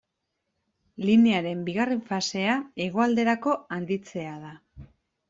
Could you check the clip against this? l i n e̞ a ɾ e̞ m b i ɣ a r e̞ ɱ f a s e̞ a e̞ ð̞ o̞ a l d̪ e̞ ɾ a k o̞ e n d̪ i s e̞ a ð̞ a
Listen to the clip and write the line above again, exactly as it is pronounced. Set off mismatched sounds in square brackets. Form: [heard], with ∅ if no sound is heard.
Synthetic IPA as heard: l i n e̞ a ɾ e̞ m b i ɣ a r e̞ ɱ f a s e̞ a e̞ [ɣ̞] o̞ a l d̪ e̞ ɾ a k o̞ [a] n d̪ i [t͡s] e̞ a ð̞ a